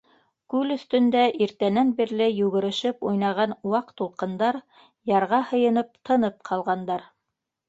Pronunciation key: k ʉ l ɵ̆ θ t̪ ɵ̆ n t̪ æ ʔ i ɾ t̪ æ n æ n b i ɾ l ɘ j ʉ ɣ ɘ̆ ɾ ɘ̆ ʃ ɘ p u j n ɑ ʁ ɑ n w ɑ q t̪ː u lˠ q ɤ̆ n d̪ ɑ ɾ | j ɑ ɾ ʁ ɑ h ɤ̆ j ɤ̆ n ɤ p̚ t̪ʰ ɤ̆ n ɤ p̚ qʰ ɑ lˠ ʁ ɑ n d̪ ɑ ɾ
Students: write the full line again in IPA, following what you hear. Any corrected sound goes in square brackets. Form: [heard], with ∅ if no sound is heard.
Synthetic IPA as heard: k ʉ l ɵ̆ θ t̪ ɵ̆ n [d̪] æ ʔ i ɾ t̪ æ n æ n b i ɾ l ɘ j ʉ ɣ ɘ̆ ɾ ɘ̆ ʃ ɘ p u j n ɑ ʁ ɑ n w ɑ q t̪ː u lˠ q ɤ̆ n d̪ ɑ ɾ | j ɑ ɾ ʁ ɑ h ɤ̆ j ɤ̆ n ɤ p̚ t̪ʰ ɤ̆ n ɤ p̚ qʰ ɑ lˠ ʁ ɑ n d̪ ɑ ɾ